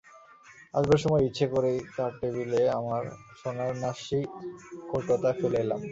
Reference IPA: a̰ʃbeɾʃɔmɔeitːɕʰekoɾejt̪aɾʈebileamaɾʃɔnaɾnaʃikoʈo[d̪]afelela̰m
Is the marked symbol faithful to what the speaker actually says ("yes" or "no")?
no